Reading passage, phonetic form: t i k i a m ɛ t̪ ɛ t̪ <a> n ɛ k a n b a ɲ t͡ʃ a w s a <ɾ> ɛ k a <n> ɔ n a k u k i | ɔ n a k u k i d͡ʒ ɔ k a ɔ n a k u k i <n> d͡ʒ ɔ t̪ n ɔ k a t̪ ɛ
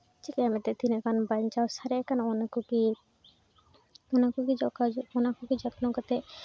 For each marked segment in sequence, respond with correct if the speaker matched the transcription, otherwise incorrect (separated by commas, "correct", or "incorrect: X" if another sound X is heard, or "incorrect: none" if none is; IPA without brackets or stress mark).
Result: incorrect: i, correct, correct, incorrect: none